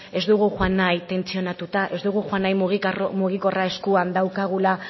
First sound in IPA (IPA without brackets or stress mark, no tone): e̞